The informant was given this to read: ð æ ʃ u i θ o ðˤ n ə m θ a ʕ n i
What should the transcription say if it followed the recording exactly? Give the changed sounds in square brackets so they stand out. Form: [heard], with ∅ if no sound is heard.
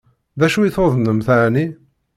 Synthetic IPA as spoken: ð æ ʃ u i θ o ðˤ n ə m θ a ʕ n i